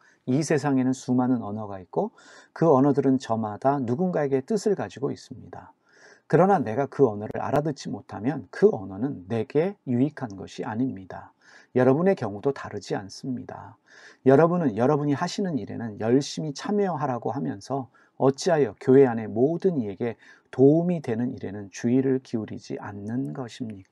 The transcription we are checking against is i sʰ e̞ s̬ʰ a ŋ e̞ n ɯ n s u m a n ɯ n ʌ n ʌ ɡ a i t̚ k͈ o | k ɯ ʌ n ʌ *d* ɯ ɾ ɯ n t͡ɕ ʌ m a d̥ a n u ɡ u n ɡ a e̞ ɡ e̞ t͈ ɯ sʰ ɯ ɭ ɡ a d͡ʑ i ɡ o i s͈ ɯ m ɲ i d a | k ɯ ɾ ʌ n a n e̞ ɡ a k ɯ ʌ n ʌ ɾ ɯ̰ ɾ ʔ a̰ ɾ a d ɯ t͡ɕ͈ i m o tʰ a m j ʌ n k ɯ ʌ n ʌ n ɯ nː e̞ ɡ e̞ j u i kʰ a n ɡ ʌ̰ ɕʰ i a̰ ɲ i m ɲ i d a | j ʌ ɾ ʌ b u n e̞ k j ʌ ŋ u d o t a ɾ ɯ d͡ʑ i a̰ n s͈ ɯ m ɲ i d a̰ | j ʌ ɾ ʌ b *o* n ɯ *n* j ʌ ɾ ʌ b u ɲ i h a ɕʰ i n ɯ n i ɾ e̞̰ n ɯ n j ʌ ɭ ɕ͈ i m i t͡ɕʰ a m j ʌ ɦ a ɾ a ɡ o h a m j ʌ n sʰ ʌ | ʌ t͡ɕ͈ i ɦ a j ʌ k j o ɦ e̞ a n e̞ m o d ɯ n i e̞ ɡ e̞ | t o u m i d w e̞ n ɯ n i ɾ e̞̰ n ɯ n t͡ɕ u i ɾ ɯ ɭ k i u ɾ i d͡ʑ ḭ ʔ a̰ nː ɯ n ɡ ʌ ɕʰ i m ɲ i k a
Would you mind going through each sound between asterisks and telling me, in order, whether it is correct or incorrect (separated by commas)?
correct, incorrect, correct